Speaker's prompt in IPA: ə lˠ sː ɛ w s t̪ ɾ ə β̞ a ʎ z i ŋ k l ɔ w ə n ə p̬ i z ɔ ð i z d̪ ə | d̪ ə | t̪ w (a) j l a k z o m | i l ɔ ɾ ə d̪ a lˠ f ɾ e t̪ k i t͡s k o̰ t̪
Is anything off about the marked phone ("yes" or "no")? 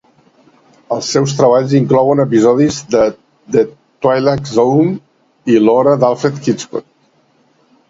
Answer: no